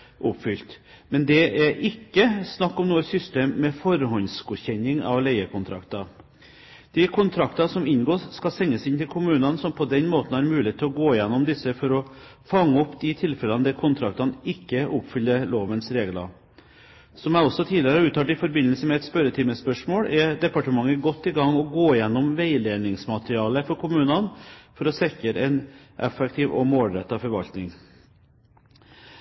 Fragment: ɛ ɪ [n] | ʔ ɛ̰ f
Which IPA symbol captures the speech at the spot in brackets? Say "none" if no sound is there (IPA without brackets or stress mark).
n